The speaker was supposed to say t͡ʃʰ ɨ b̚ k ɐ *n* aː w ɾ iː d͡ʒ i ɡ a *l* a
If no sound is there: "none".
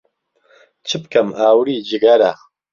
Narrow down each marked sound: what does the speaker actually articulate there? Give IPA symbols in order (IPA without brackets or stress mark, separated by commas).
m, ɾ